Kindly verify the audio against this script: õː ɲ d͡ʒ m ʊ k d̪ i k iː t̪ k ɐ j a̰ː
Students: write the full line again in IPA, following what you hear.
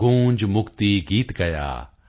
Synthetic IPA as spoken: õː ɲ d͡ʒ m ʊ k t̪ i ɡ iː t̪ ɡ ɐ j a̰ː